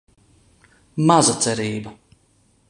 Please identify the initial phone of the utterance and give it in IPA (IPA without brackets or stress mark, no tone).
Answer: m